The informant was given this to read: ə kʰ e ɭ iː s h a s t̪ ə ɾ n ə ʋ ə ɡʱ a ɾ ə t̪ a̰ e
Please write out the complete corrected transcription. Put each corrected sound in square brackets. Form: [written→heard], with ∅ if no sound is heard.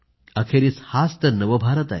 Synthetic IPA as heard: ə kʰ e [ɭ→ɾ] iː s h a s t̪ ə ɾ n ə ʋ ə [ɡʱ→bʱ] a ɾ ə t̪ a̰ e